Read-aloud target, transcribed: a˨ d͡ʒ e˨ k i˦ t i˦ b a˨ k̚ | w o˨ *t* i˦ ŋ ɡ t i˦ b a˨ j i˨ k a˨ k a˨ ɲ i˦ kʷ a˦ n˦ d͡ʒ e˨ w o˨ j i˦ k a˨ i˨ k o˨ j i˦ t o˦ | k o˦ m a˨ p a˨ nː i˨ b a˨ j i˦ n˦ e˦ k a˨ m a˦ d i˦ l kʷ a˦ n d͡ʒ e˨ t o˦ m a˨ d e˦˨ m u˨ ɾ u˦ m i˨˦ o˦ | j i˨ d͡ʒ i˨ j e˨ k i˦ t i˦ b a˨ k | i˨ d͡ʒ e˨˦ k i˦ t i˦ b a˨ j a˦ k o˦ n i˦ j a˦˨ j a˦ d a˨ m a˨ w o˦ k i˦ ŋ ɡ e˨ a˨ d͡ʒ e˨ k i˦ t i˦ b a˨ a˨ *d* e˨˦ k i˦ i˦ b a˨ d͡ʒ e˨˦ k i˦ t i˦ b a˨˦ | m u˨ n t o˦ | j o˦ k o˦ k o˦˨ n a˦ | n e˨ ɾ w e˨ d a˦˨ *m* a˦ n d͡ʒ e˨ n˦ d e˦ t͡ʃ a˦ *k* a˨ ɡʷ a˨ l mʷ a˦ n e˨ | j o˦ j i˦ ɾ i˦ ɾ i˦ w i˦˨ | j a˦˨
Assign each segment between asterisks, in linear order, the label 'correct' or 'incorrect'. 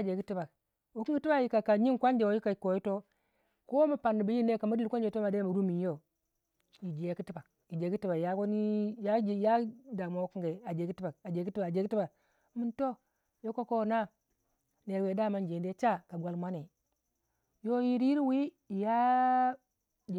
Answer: incorrect: k, incorrect: d͡ʒ, correct, correct

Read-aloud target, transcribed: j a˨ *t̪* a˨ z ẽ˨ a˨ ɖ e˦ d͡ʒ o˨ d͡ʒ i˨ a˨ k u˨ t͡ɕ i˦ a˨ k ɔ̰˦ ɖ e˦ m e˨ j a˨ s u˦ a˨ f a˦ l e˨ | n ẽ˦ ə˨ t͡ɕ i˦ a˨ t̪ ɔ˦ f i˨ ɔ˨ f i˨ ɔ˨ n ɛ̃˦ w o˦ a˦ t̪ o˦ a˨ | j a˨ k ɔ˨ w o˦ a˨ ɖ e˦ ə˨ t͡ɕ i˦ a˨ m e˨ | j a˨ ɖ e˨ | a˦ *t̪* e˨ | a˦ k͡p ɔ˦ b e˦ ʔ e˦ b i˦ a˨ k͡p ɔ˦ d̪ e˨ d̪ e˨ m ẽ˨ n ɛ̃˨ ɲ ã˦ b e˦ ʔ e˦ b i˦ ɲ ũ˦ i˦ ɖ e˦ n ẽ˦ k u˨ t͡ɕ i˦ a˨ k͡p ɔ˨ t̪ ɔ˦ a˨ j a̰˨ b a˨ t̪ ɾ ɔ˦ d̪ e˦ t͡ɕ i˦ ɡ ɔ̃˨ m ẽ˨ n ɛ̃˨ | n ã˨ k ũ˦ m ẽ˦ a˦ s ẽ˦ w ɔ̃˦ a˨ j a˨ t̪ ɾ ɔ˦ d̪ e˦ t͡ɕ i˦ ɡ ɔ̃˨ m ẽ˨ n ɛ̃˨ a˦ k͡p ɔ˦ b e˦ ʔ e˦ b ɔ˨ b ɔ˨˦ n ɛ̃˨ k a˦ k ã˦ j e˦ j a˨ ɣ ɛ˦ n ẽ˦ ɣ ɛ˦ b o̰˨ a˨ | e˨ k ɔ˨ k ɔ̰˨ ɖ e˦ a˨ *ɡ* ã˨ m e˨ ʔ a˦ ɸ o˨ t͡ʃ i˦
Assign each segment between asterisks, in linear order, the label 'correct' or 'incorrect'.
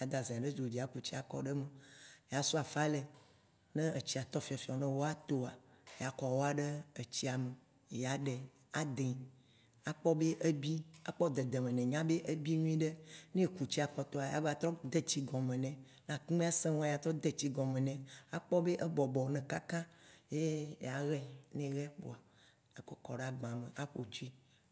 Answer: incorrect: d̪, incorrect: d̪, incorrect: ɡ͡b

